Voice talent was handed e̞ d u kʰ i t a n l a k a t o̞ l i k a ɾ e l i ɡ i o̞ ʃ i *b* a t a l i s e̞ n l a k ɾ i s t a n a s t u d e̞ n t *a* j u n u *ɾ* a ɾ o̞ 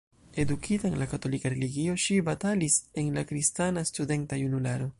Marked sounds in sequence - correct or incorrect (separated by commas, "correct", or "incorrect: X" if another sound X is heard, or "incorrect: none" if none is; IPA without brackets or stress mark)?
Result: correct, correct, incorrect: l